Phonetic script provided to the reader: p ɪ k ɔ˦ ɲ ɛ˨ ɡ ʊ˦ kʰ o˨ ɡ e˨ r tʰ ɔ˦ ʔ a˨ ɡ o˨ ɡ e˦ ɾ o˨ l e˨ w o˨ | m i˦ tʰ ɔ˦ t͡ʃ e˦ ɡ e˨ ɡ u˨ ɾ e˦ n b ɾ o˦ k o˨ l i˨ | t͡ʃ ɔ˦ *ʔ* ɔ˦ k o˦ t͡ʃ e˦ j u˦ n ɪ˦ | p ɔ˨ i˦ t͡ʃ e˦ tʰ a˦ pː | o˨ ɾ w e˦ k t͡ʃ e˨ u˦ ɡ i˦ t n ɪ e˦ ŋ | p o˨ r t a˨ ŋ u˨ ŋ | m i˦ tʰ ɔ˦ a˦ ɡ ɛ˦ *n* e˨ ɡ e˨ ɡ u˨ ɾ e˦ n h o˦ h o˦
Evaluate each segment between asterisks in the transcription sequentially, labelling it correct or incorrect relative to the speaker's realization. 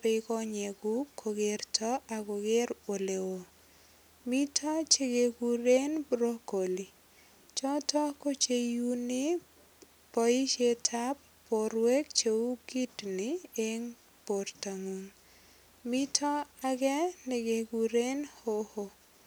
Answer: incorrect: t, correct

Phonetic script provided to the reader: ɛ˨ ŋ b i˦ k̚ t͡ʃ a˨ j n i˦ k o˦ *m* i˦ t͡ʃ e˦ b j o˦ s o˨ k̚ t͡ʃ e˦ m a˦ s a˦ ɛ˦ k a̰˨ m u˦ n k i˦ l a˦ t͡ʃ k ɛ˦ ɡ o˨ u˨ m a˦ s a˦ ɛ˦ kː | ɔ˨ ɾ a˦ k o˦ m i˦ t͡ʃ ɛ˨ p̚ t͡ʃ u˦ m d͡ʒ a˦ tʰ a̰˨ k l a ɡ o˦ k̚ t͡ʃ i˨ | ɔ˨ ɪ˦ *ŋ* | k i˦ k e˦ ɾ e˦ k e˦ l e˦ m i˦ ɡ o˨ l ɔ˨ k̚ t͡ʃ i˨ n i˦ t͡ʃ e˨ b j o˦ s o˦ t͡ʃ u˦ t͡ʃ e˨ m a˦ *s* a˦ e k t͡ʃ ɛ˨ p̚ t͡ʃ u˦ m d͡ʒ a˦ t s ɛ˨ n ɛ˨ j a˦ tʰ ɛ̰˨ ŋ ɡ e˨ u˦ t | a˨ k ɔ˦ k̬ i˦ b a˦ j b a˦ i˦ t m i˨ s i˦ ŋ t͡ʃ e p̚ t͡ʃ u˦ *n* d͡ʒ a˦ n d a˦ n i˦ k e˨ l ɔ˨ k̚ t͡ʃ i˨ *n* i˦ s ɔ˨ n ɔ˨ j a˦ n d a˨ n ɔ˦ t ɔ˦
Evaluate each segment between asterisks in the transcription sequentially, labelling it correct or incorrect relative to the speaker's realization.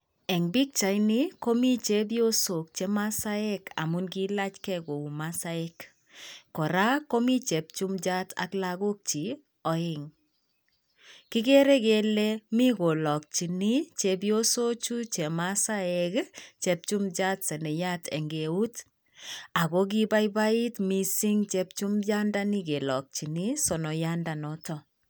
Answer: correct, correct, correct, incorrect: m, correct

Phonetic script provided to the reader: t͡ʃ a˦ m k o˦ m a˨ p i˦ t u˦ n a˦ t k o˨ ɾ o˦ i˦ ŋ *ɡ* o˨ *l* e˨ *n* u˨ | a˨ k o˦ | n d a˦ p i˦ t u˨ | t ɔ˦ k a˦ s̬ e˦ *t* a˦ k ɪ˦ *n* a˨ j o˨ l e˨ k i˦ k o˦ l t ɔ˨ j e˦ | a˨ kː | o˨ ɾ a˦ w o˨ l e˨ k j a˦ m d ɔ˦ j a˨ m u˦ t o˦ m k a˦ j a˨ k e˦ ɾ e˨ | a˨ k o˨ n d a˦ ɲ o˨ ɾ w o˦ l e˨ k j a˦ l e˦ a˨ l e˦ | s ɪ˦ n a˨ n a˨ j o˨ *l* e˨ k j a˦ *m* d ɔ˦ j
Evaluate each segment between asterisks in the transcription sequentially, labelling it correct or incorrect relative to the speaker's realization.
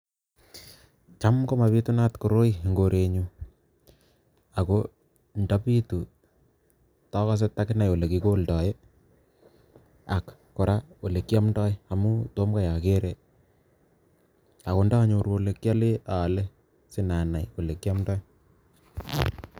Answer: correct, incorrect: ɾ, incorrect: ɲ, correct, correct, correct, correct

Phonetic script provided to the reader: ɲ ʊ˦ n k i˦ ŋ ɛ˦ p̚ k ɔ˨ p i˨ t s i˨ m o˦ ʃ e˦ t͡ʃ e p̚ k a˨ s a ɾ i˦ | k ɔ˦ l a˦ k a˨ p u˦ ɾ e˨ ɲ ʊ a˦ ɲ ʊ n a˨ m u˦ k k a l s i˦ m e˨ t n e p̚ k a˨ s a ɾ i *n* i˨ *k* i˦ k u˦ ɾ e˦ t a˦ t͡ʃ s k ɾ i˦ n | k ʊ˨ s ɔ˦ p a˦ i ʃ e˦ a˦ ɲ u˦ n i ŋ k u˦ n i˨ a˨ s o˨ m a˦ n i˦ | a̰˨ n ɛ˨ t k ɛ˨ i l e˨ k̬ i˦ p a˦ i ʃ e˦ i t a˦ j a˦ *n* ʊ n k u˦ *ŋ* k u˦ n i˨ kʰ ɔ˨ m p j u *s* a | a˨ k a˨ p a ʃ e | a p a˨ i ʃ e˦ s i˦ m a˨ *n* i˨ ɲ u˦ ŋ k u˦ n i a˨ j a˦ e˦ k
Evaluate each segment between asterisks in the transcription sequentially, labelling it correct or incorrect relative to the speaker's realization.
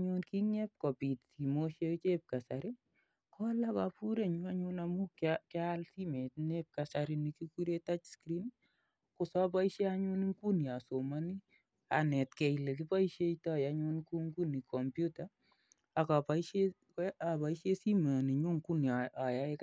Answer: correct, correct, incorrect: ɲ, correct, incorrect: t, correct

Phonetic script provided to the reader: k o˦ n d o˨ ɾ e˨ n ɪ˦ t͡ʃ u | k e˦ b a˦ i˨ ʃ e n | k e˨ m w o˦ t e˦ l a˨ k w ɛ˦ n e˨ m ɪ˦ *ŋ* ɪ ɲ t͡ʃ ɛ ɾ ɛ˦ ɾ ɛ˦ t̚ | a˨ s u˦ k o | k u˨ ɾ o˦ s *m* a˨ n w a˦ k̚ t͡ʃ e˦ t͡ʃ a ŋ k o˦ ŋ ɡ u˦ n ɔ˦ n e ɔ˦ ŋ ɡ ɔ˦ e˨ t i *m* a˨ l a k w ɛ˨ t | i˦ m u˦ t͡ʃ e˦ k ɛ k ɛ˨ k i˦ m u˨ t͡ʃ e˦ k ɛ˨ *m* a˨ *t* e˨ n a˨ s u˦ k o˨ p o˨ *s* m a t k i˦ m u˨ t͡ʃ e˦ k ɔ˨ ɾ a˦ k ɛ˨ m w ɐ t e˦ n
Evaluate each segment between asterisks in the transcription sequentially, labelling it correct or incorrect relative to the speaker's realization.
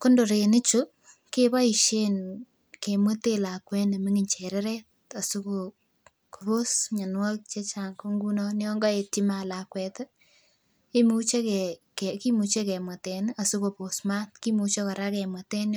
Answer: correct, incorrect: ɲ, correct, correct, correct, correct

